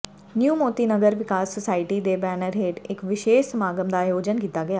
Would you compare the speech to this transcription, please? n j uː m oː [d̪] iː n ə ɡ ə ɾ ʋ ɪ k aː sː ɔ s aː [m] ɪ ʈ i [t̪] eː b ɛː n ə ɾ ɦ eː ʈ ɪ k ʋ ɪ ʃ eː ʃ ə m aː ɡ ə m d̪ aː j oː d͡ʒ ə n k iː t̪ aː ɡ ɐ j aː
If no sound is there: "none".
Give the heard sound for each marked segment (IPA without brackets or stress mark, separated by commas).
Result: t̪, none, d̪